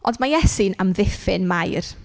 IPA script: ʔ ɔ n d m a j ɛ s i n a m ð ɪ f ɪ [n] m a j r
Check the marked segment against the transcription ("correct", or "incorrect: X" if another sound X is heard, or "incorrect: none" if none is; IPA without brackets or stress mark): correct